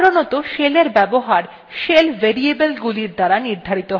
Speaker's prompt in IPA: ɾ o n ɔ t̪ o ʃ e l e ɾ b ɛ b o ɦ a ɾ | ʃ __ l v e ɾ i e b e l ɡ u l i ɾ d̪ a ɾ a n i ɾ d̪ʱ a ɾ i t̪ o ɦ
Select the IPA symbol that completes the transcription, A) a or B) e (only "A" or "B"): B